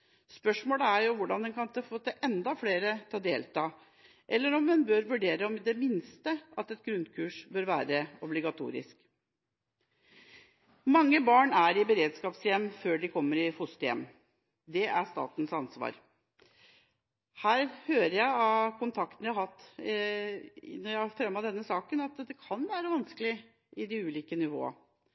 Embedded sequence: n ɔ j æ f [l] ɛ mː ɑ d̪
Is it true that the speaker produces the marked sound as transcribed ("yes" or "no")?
no